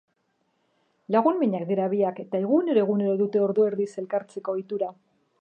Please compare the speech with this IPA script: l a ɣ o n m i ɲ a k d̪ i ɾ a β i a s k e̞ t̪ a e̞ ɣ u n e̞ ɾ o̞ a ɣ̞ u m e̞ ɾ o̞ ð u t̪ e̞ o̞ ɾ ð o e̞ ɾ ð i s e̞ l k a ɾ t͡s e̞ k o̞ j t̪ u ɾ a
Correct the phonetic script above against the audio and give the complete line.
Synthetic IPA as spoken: l a ɣ u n m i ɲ a k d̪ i ɾ a β i a k e̞ t̪ a e̞ ɣ u n e̞ ɾ o̞ e ɣ̞ u n e̞ ɾ o̞ ð u t̪ e̞ o̞ ɾ ð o e̞ ɾ ð i s e̞ l k a ɾ t͡s e̞ k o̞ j t̪ u ɾ a